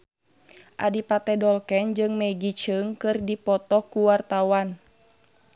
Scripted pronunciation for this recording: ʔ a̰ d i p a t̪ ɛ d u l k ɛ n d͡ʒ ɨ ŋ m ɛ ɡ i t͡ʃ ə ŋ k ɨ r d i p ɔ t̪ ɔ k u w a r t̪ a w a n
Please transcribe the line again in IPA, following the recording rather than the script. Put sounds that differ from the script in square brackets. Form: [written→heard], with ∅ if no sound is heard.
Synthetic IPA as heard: ʔ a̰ d i p a t̪ ɛ d [u→ɔ] l k ɛ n d͡ʒ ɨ ŋ m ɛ ɡ i t͡ʃ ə ŋ k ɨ r d i p ɔ t̪ ɔ k u w a r t̪ a w a n